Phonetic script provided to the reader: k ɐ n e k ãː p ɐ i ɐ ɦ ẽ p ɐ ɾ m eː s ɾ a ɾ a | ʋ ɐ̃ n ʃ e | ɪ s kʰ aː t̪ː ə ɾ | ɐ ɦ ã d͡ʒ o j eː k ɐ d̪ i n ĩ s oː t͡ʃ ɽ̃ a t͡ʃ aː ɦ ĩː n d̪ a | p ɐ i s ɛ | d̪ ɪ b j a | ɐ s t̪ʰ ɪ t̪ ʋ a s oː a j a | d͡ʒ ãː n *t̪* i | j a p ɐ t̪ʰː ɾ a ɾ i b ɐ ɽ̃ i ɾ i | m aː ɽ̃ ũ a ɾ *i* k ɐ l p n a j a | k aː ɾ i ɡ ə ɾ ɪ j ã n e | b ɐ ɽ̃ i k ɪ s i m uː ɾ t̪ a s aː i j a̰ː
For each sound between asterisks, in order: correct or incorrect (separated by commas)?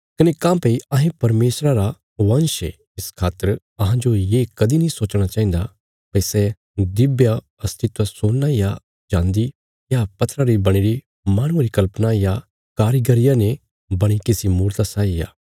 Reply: incorrect, correct